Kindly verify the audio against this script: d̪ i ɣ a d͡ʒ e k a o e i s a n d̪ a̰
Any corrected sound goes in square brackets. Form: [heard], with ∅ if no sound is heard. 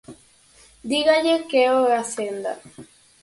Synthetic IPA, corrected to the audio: d̪ i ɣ a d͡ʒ e k [e] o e [a] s [e] n d̪ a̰